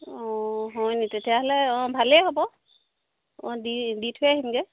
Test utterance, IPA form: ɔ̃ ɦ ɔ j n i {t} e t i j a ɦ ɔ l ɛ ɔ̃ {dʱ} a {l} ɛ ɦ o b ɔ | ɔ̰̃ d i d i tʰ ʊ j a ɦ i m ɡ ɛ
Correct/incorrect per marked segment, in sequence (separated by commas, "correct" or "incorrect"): correct, incorrect, correct